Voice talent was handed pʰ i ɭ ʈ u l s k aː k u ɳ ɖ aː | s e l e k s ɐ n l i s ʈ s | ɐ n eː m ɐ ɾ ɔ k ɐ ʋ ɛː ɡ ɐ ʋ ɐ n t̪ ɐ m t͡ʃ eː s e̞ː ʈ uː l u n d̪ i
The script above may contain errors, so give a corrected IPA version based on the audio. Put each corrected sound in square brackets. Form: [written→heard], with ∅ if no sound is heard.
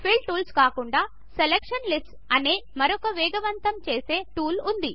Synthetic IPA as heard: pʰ i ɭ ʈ [u→uː] l s k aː k u ɳ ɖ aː | s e l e k [s→ʂ] ɐ n l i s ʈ s | ɐ n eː m ɐ ɾ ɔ k ɐ ʋ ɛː ɡ ɐ ʋ ɐ n t̪ ɐ m t͡ʃ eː s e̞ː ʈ uː l u n d̪ i